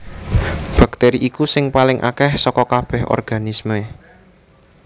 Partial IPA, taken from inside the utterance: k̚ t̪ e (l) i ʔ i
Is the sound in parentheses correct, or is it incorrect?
incorrect